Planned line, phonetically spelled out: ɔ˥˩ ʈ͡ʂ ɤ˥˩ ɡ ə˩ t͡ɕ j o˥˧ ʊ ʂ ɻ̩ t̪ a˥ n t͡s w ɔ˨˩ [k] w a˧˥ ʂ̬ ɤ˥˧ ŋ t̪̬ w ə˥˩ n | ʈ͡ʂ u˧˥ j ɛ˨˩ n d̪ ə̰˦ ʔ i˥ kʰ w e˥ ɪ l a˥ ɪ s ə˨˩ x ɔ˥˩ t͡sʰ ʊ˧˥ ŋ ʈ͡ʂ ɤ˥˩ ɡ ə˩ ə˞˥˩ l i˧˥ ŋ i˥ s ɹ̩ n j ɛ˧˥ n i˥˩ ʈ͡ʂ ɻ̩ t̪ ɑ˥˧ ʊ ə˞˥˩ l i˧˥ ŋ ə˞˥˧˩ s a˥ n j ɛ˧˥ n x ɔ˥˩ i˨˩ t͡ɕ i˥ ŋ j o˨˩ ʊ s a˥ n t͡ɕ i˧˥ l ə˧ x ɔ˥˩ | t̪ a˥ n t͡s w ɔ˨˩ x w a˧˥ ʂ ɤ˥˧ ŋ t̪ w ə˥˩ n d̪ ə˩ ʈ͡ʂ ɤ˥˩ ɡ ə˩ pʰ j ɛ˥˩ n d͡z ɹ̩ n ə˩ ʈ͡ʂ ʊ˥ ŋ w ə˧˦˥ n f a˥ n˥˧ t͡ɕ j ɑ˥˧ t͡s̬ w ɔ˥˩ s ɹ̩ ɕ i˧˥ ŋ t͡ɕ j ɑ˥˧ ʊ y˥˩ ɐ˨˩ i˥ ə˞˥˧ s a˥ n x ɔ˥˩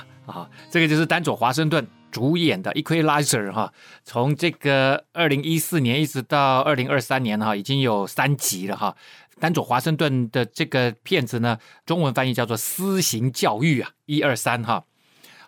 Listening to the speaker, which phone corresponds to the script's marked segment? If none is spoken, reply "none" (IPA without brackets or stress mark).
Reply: x